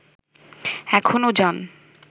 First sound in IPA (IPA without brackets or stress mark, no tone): ɛ